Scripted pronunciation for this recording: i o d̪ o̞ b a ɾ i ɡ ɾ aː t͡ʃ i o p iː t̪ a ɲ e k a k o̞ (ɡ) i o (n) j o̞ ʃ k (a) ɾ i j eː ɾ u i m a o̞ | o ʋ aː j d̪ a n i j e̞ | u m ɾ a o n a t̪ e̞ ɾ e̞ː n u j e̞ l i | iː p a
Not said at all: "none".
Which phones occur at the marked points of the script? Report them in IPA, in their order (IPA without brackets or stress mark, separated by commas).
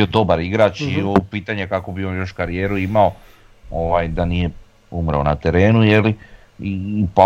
b, n, a